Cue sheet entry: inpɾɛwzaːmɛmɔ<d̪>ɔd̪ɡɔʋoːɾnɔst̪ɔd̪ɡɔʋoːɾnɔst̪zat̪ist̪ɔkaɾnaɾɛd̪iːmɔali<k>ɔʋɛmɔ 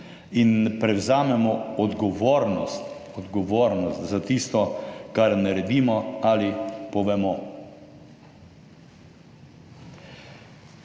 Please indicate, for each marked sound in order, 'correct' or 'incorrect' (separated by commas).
incorrect, incorrect